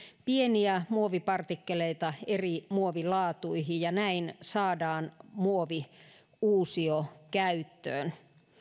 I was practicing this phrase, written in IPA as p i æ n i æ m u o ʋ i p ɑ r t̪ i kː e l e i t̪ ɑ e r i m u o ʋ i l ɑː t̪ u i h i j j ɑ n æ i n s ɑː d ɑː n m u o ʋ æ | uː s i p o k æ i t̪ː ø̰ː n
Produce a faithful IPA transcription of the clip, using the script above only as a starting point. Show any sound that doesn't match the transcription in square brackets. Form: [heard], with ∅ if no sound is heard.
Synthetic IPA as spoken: p i [e] n i æ m u o ʋ i p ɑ r t̪ i kː e l e i t̪ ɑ e r i m u o ʋ i l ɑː t̪ u i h i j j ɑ n æ i n s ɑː d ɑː n m u o ʋ [i] | uː s i [∅] o k æ [y] t̪ː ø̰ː n